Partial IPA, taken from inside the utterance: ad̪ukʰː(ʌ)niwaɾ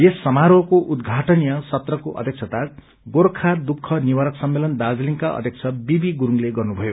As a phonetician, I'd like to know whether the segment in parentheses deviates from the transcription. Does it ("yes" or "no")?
no